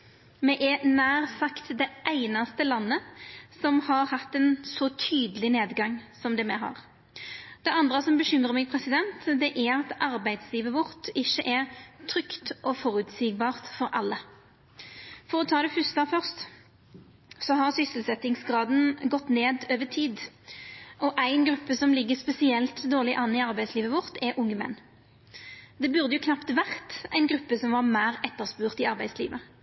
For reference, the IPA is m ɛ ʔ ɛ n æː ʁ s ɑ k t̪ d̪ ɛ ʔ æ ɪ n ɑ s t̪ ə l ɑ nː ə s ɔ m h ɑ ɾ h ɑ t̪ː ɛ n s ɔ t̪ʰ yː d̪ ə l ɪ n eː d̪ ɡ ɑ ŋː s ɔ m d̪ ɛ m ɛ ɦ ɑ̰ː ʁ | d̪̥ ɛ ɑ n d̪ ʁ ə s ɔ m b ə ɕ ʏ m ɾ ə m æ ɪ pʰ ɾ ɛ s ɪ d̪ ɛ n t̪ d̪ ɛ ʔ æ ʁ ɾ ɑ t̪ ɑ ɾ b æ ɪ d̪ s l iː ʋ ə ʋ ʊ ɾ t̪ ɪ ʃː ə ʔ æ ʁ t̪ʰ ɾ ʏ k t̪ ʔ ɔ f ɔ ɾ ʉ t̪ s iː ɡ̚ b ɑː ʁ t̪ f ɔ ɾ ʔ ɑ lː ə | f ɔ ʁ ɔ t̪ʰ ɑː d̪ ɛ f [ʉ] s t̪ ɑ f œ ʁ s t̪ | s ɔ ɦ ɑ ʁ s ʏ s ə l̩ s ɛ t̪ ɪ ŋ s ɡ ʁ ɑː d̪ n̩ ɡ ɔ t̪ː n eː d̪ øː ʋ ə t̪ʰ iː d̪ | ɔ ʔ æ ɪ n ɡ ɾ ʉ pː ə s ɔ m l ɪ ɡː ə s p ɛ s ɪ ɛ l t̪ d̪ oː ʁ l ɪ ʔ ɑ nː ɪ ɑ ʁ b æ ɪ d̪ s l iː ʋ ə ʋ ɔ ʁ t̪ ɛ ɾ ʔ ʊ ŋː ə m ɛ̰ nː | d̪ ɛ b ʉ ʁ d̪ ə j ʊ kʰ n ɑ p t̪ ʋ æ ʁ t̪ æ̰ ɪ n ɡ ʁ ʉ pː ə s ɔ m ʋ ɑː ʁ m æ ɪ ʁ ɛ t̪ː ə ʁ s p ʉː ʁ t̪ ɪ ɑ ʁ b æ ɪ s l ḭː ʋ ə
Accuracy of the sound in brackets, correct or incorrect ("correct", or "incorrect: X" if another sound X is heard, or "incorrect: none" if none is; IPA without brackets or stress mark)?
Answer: correct